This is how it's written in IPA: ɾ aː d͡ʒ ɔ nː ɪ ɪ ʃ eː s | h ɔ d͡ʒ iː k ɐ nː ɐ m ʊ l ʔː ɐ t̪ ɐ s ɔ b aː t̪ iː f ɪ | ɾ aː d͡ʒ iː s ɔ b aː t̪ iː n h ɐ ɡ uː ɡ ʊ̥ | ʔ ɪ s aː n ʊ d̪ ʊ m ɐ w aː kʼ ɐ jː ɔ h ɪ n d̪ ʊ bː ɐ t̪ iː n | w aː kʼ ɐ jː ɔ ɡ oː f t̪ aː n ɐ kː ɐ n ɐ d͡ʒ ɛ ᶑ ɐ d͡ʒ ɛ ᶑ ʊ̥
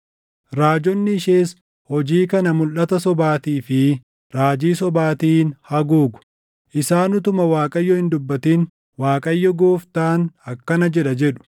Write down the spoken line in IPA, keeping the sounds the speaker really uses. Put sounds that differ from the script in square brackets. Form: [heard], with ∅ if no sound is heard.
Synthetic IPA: ɾ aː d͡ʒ ɔ nː ɪ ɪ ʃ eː s | h ɔ d͡ʒ iː k ɐ [n] ɐ m ʊ l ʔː ɐ t̪ ɐ s ɔ b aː t̪ iː f ɪ | ɾ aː d͡ʒ iː s ɔ b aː t̪ iː n h ɐ ɡ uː ɡ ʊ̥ | ʔ ɪ s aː n ʊ [t̪] ʊ m ɐ w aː kʼ ɐ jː ɔ h ɪ n d̪ ʊ bː ɐ t̪ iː n | w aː kʼ ɐ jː ɔ ɡ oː f t̪ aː n ɐ kː ɐ n ɐ d͡ʒ ɛ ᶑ ɐ d͡ʒ ɛ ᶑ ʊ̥

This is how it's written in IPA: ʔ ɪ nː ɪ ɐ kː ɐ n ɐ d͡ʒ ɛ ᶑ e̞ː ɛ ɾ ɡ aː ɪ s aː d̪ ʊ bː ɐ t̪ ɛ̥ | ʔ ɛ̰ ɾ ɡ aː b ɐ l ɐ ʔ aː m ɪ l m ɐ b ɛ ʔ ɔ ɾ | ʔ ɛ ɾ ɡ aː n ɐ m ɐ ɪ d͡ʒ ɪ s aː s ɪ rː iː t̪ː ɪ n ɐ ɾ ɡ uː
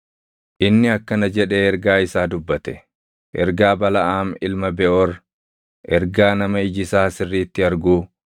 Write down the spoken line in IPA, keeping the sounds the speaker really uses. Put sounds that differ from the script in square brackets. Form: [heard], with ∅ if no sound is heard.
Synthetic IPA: ʔ ɪ nː ɪ ɐ kː ɐ n ɐ d͡ʒ ɛ ᶑ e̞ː ɛ ɾ ɡ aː ɪ s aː d̪ ʊ bː ɐ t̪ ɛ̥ | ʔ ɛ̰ ɾ ɡ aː b ɐ l ɐ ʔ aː m ɪ l m ɐ b ɛ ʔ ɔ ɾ | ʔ ɛ ɾ ɡ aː n ɐ m ɐ ɪ d͡ʒ ɪ s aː s ɪ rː iː t̪ː ɪ [∅] ɐ ɾ ɡ uː

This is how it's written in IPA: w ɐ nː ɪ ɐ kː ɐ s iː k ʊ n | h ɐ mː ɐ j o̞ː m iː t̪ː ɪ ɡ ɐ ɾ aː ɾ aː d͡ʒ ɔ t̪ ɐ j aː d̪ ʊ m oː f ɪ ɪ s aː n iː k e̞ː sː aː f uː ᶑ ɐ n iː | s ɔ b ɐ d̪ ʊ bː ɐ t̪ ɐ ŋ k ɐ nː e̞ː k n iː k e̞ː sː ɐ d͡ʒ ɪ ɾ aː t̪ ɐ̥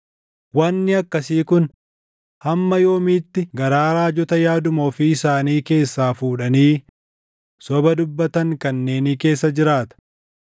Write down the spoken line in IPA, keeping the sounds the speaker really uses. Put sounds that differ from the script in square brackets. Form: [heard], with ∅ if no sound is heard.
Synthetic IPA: w ɐ nː ɪ ɐ kː ɐ s iː k ʊ n | h ɐ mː ɐ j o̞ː m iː t̪ː ɪ ɡ ɐ ɾ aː ɾ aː d͡ʒ ɔ t̪ ɐ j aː d̪ ʊ m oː f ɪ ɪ s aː n iː k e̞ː sː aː f uː ᶑ ɐ n iː | s ɔ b ɐ d̪ ʊ bː ɐ t̪ ɐ ŋ k ɐ nː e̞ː [∅] n iː k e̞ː sː ɐ d͡ʒ ɪ ɾ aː t̪ ɐ̥

